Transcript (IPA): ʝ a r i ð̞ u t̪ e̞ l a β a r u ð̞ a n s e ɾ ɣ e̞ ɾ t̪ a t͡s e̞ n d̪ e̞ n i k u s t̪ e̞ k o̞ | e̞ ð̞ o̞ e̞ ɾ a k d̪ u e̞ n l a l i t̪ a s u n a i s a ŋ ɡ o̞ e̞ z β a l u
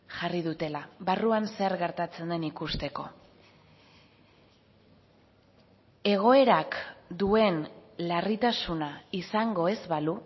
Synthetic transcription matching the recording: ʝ a r i ð̞ u t̪ e̞ l a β a r u a n s e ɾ ɣ e̞ ɾ t̪ a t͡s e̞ n d̪ e̞ n i k u s t̪ e̞ k o̞ | e̞ ɣ̞ o̞ e̞ ɾ a k d̪ u e̞ n l a r i t̪ a s u n a i s a ŋ ɡ o̞ e̞ z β a l u

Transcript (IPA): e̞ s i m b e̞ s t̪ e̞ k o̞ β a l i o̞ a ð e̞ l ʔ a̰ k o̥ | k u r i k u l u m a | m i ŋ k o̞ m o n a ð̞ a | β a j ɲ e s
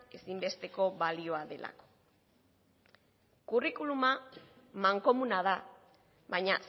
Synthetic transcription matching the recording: e̞ s i m b e̞ s t̪ e̞ k o̞ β a l i o̞ a ð e̞ l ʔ a̰ k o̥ | k u r i k u l u m a | m a ŋ k o̞ m u n a ð̞ a | β a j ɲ a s

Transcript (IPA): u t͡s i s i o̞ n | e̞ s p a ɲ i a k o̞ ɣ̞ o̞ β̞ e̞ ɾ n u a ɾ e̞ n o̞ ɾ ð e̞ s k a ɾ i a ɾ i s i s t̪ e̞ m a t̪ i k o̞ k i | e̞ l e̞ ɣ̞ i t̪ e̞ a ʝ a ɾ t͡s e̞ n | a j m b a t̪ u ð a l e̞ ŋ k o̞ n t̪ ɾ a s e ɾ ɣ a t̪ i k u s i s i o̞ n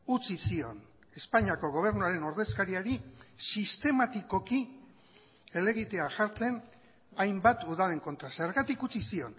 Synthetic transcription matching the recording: u t͡s i s i o̞ n | e̞ s p a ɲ i a k o̞ ɣ̞ o̞ β̞ e̞ ɾ n u a ɾ e̞ n o̞ ɾ ð e̞ s k a ɾ i a ɾ i s i s t̪ e̞ m a t̪ i k o̞ k i | e̞ l e̞ ɣ̞ i t̪ e̞ a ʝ a ɾ t͡s e̞ n | a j m b a t̪ u ð a l e̞ ŋ k o̞ n t̪ ɾ a s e ɾ ɣ a t̪ i k u t͡s i s i o̞ n

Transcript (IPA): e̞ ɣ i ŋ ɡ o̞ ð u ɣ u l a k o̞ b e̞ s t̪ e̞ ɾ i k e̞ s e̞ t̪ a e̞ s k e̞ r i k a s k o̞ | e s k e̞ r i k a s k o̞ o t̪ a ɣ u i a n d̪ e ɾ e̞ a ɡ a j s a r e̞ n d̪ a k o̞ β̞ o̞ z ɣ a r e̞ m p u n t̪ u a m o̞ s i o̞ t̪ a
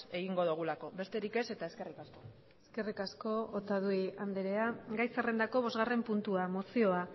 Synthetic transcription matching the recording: e̞ ɣ i ŋ ɡ o̞ ð u ɣ u l a k o̞ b e̞ s t̪ e̞ ɾ i k e̞ s e̞ t̪ a e̞ s k e̞ r i k a s k o̞ | e s k e̞ r i k a s k o̞ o t̪ a ð u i a n d̪ e ɾ e̞ a ɡ a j s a r e̞ n d̪ a k o̞ β̞ o̞ z ɣ a r e̞ m p u n t̪ u a m o̞ s i o̞ a

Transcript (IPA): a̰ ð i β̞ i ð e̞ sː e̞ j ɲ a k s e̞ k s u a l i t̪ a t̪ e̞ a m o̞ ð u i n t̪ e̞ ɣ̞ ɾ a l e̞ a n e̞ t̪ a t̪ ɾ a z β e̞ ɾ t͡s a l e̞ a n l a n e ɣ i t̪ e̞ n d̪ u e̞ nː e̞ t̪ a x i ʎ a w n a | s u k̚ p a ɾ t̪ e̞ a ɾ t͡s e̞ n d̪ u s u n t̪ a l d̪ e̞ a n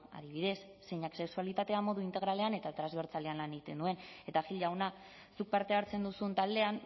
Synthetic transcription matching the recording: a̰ ð i β̞ i ð e̞ sː e̞ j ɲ a k s e̞ k s u a l i t̪ a t̪ e̞ a m o̞ ð u i n t̪ e̞ ɣ̞ ɾ a l e̞ a n e̞ t̪ a t̪ ɾ a z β e̞ ɾ t͡s a l e̞ a n l a n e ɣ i t̪ e̞ n d̪ u e̞ n e̞ t̪ a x i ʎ a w n a | s u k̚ p a ɾ t̪ e̞ a ɾ t͡s e̞ n d̪ u s u n t̪ a l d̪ e̞ a n

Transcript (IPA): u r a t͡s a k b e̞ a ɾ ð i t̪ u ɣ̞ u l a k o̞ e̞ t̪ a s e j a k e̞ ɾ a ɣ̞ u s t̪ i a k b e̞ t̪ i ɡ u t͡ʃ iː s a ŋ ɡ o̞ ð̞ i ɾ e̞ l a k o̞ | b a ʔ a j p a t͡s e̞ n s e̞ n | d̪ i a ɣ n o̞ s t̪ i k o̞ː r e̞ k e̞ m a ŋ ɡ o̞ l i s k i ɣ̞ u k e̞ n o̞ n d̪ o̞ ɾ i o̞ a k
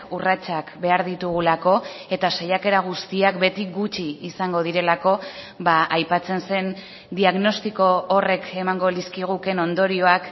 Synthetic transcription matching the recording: u r a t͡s a k b e̞ a ɾ ð i t̪ u ɣ̞ u l a k o̞ e̞ t̪ a s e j a k e̞ ɾ a ɣ̞ u s t̪ i a k b e̞ t̪ i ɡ u t͡ʃ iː s a ŋ ɡ o̞ ð̞ i ɾ e̞ l a k o̞ | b a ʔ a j p a t͡s e̞ n s e̞ n | d̪ i a ɣ n o̞ s t̪ i k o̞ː r e̞ k e̞ m a ŋ ɡ o̞ l i s k i ɣ̞ u k e̞ n o̞ n d̪ o̞ ɾ i o̞ a k

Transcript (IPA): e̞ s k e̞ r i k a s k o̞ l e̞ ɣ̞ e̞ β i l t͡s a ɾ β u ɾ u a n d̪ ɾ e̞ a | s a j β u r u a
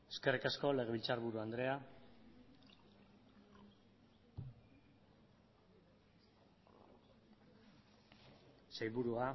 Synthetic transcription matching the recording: e̞ s k e̞ r i k a s k o̞ l e̞ ɣ̞ e̞ β i l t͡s a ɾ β u ɾ u a n d̪ ɾ e̞ a | s a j β u ɾ u a

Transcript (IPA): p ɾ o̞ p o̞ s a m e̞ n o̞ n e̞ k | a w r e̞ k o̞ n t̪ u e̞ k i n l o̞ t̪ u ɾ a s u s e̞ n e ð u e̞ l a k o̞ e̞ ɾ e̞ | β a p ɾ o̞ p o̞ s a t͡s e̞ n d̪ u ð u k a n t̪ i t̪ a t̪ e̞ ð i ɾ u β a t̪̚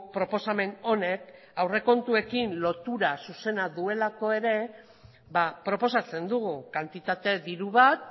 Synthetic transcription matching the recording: p ɾ o̞ p o̞ s a m e̞ n o̞ n e̞ k | a w r e̞ k o̞ n t̪ u e̞ k i n l o̞ t̪ u ɾ a s u s e̞ n a ð u e̞ l a k o̞ e̞ ɾ e̞ | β a p ɾ o̞ p o̞ s a t͡s e̞ n d̪ u ɣ u k a n t̪ i t̪ a t̪ e̞ ð i ɾ u β a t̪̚

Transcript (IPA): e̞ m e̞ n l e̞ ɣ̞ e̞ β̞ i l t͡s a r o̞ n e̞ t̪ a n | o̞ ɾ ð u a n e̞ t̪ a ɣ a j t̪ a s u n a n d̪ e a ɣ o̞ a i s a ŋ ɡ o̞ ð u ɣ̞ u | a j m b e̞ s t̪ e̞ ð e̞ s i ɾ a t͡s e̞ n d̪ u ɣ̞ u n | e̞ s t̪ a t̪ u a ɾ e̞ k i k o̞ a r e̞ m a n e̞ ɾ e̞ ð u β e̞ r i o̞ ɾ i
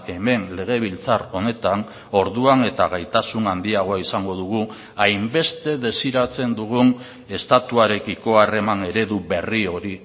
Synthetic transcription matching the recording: e̞ m e̞ n l e̞ ɣ̞ e̞ β̞ i l t͡s a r o̞ n e̞ t̪ a n | o̞ ɾ ð u a n e̞ t̪ a ɣ a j t̪ a s u n a n d̪ i a ɣ o̞ a i s a ŋ ɡ o̞ ð u ɣ̞ u | a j m b e̞ s t̪ e̞ ð e̞ s i ɾ a t͡s e̞ n d̪ u ɣ̞ u n | e̞ s t̪ a t̪ u a ɾ e̞ k i k o̞ a r e̞ m a n e̞ ɾ e̞ ð u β e̞ r i o̞ ɾ i

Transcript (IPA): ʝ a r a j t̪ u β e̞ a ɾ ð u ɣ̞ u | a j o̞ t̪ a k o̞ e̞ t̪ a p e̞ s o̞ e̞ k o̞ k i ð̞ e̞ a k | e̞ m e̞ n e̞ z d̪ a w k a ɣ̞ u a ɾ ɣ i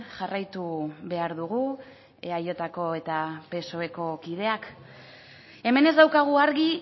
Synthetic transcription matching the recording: ʝ a r a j t̪ u β e̞ a ɾ ð u ɣ̞ u | a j o̞ t̪ a k o̞ e̞ t̪ a p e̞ s o̞ e̞ k o̞ k i ð̞ e̞ a k | e̞ m e̞ n e̞ z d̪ a w k a ɣ̞ u a ɾ ɣ i

